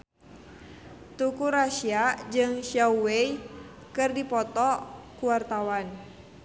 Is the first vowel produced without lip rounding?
no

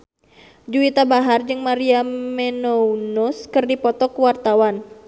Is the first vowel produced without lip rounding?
no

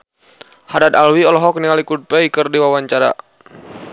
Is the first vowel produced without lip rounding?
yes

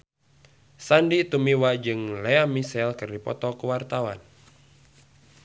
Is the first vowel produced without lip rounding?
yes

